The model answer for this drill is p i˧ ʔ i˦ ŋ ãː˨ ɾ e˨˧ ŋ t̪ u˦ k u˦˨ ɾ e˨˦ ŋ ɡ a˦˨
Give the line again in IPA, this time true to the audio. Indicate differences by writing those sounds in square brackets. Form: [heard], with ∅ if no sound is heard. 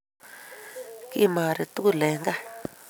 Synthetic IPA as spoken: [k] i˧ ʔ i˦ [m] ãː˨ ɾ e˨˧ [∅] t̪ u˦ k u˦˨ [l] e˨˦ ŋ ɡ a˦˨

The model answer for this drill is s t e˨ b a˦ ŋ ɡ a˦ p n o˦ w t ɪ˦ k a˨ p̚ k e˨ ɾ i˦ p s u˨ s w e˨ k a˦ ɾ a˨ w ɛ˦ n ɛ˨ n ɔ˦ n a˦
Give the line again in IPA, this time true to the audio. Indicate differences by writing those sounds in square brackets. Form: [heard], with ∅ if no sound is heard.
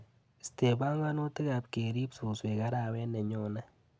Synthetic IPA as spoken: s t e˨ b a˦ ŋ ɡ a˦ [∅] n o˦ [∅] t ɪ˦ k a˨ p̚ k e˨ ɾ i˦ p s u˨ s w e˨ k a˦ ɾ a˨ w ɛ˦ n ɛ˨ [ɲ] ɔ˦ n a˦

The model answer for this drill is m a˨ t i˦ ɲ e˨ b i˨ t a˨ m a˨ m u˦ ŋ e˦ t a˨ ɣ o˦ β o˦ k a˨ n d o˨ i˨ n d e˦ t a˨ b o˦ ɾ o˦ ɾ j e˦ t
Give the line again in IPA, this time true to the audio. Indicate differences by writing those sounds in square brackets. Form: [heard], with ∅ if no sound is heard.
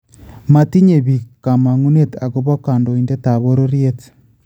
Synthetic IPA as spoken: m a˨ t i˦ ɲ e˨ [β] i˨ [k] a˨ m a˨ [ŋ] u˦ [n] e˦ t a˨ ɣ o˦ β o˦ k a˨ n d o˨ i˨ n d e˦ t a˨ [β] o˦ ɾ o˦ ɾ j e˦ t

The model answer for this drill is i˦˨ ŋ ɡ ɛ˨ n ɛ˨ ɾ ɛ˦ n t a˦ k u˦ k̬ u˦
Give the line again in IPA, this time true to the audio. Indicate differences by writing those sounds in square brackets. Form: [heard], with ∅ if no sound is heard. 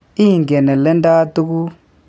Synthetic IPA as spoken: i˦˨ ŋ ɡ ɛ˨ n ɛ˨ [l] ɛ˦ n [d] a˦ [t] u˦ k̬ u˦

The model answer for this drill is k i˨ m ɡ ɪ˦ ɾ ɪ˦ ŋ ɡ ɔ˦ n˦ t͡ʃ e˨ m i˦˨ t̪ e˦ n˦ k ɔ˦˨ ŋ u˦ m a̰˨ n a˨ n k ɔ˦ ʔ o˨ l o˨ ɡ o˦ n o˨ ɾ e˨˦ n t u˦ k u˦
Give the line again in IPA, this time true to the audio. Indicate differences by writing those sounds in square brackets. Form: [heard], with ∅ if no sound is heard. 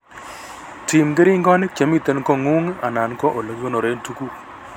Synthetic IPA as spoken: [t] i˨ m ɡ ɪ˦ ɾ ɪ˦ ŋ ɡ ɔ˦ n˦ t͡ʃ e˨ m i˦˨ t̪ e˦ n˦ k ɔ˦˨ ŋ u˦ [ŋ] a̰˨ n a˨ n k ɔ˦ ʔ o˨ l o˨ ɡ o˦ n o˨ ɾ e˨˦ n t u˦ k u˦

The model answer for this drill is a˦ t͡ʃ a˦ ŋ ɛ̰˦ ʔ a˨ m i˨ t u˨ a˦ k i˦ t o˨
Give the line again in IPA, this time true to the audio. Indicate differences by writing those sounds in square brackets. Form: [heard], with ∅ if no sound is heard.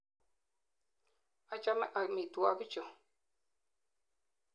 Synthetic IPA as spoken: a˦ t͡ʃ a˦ [m] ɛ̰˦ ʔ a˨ m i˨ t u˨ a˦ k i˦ [t͡ʃ] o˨

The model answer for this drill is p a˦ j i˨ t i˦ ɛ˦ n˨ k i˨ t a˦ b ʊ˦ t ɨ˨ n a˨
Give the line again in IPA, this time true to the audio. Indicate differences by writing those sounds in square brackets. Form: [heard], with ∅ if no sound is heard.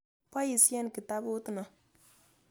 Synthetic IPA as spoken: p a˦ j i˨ [s] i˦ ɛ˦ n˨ k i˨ t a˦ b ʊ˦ t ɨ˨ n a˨

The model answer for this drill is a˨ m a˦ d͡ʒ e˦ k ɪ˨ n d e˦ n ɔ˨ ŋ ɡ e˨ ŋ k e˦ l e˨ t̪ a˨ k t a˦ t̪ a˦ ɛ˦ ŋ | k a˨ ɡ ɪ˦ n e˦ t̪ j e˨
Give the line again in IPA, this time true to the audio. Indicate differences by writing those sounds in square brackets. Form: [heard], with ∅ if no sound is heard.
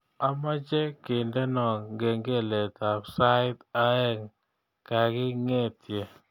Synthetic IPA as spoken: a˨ m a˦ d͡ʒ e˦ k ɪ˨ n d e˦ n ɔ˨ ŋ ɡ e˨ ŋ [ɡ] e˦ l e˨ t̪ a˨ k [s] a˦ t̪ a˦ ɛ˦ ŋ | k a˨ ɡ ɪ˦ [ŋ] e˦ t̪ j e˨

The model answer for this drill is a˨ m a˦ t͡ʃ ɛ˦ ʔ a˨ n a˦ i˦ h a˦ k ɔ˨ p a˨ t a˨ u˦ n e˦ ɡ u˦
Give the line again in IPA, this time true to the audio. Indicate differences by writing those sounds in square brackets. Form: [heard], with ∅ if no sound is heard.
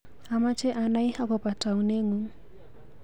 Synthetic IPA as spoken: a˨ m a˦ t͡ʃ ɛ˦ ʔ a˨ n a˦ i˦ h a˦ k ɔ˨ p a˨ t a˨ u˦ n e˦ [ŋ] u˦

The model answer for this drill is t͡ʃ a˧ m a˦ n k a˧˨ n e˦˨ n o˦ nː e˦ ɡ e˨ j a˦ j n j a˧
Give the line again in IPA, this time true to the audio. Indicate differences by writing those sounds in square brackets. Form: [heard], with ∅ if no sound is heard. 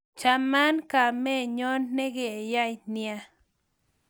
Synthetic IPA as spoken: t͡ʃ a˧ m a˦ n k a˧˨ [m] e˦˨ [ɲ] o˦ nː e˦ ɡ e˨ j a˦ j n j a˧

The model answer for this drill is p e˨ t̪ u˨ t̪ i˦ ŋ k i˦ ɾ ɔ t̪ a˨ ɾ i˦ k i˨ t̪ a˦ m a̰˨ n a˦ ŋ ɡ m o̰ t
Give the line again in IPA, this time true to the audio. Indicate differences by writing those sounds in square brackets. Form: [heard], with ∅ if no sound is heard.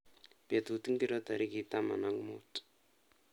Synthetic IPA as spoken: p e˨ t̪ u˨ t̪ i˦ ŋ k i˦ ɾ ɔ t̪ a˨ ɾ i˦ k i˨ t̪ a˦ m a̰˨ n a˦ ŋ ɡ m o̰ t

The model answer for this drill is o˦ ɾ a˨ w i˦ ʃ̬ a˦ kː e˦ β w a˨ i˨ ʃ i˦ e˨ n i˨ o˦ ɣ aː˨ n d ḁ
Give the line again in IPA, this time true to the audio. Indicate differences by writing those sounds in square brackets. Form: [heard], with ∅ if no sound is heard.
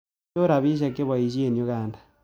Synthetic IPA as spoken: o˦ ɾ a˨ [β] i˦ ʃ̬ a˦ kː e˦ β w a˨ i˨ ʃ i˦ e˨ n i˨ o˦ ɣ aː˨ n d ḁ

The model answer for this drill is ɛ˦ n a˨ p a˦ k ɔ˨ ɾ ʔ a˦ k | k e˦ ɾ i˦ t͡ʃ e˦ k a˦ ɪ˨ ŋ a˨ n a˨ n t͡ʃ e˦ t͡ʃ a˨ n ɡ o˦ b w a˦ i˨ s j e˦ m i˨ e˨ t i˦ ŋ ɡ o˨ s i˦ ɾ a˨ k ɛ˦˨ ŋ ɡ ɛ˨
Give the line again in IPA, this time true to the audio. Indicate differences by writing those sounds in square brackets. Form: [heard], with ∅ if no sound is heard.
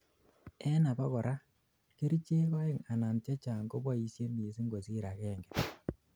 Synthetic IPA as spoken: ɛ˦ n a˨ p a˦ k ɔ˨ ɾ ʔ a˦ [∅] | k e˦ ɾ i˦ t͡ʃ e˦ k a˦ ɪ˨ ŋ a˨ n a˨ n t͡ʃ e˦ t͡ʃ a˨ [ŋ] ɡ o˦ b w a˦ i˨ s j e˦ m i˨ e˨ [s] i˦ ŋ ɡ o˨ s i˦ ɾ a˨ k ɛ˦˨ ŋ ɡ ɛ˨

